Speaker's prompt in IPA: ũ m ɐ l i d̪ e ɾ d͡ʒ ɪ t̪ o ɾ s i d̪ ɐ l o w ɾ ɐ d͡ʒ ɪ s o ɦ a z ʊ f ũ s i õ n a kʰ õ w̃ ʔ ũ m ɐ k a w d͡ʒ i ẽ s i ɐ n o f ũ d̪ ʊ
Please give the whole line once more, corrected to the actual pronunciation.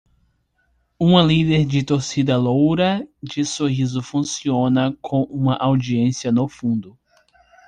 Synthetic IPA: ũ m ɐ l i d̪ e ɾ d͡ʒ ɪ t̪ o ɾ s i d̪ ɐ l o w ɾ ɐ d͡ʒ ɪ s o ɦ i z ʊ f ũ s i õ n ɐ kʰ õ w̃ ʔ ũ m ɐ ʔ a w d͡ʒ i ẽ s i ɐ n o f ũ d̪ ʊ

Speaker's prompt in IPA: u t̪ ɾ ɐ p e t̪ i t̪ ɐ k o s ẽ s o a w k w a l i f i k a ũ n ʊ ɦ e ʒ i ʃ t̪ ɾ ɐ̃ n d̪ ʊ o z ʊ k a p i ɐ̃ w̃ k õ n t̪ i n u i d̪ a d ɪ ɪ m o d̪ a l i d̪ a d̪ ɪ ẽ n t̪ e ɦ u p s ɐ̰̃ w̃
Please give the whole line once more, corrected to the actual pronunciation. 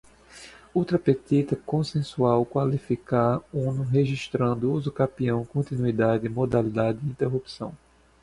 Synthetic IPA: u t̪ ɾ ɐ p e t̪ i t̪ ɐ k õ s ẽ s u a w k w a l i f i k a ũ n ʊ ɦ e ʒ i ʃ t̪ ɾ ɐ̃ n d̪ ʊ u z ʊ k a p i ɐ̃ w̃ k õ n t̪ i n u i d̪ a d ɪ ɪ m o d̪ a l i d̪ a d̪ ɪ ĩ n t̪ e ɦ u p s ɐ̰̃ w̃

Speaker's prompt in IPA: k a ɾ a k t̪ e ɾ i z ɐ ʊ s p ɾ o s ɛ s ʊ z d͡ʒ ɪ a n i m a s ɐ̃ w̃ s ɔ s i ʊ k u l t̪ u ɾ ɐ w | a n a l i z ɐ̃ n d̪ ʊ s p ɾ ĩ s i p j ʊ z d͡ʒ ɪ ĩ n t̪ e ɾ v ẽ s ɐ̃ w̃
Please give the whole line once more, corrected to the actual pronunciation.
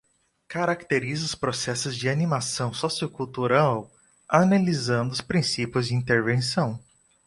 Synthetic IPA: k a ɾ a k t̪ e ɾ i z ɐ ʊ s p ɾ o s ɛ s ʊ z d͡ʒ ɪ a n i m a s ɐ̃ w̃ s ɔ s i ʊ k u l t̪ u ɾ a w | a n a l i z ɐ̃ n d̪ ʊ s p ɾ ĩ s i p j ʊ z d͡ʒ ɪ ĩ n t̪ e ɾ v ẽ s ɐ̃ w̃

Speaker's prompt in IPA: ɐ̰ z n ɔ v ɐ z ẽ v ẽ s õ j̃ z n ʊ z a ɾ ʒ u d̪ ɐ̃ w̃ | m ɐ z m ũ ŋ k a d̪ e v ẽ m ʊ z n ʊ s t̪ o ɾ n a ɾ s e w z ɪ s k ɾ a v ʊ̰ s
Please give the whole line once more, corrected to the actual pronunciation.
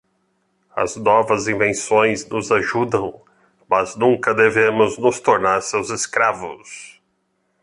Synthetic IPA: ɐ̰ z n ɔ v ɐ z ĩ v ẽ s õ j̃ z n ʊ z a ʒ u d̪ ɐ̃ w̃ | m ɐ z n ũ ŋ k ɐ d̪ e v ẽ m ʊ z n ʊ s t̪ o ɾ n a ɾ s e w z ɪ s k ɾ a v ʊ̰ s

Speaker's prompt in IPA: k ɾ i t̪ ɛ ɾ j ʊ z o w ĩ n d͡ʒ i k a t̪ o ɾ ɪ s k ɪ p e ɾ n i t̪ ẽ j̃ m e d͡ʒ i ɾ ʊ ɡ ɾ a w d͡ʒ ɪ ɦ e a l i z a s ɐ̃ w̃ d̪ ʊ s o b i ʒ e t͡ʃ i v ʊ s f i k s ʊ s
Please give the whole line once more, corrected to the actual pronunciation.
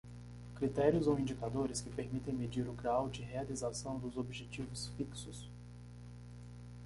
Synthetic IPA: k ɾ i t̪ ɛ ɾ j ʊ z o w ĩ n d͡ʒ i k a d̪ o ɾ ɪ s k ɪ p e ɾ m i t̪ ẽ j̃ m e d͡ʒ i ɾ ʊ ɡ ɾ a w d͡ʒ ɪ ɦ e a l i z a s ɐ̃ w̃ d̪ ʊ z o b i ʒ e t͡ʃ i v ʊ s f i k s ʊ s

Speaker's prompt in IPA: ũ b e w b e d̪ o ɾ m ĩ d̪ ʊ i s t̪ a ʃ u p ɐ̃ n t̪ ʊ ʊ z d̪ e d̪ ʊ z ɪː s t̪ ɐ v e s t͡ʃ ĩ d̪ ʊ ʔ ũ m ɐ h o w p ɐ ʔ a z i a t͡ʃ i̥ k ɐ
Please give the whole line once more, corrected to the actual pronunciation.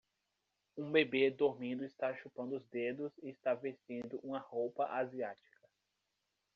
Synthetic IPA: ũ b e b e d̪ o ɾ m ĩ d̪ ʊ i s t̪ a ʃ u p ɐ̃ n d̪ ʊ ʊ z d̪ e d̪ ʊ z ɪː s t̪ a v e s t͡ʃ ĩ d̪ ʊ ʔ ũ m ɐ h o w p ɐ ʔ a z i a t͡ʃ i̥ k ɐ

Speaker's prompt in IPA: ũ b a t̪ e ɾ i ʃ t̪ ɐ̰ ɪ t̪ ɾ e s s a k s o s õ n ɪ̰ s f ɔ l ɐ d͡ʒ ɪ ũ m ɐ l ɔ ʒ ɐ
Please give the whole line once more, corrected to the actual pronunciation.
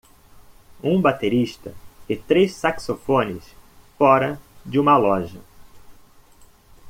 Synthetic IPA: ũ b a t̪ e ɾ i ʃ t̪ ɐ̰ ɪ t̪ ɾ e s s a k s o f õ n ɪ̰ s f ɔ ɾ ɐ d͡ʒ ɪ ũ m ɐ l ɔ ʒ ɐ

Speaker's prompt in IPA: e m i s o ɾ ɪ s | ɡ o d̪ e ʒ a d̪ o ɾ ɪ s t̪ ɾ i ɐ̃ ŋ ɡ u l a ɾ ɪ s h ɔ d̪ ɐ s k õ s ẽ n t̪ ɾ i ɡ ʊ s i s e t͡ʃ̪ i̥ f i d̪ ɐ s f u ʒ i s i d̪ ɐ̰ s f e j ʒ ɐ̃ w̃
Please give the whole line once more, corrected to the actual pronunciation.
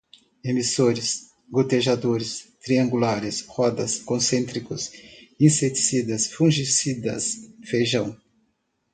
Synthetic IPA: e m i s o ɾ ɪ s | ɡ o t̪ e ʒ a d̪ o ɾ ɪ s t̪ ɾ i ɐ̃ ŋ ɡ u l a ɾ ɪ s h ɔ d̪ ɐ s k õ s ẽ n t̪ ɾ i k ʊ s ĩ s e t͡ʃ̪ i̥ s i d̪ ɐ s f ũ ʒ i s i d̪ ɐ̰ s f e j ʒ ɐ̃ w̃

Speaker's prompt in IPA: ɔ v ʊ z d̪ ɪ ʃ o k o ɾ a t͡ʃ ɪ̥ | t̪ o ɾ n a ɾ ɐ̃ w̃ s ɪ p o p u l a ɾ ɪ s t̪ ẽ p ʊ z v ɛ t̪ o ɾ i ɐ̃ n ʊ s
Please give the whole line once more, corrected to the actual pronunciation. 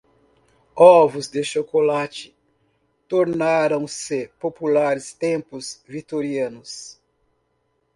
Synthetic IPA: ɔ v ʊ z d̪ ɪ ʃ o k o l a t͡ʃ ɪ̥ | t̪ o ɾ n a ɾ ɐ̃ w̃ s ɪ p o p u l a ɾ ɪ s t̪ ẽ p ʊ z v i t̪ o ɾ i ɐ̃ n ʊ s

